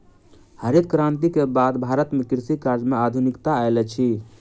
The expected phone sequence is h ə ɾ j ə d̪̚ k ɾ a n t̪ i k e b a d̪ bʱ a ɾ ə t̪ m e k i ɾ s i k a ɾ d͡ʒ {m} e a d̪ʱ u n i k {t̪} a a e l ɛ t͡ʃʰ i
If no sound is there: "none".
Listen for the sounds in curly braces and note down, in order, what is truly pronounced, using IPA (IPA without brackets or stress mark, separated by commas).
m, t̪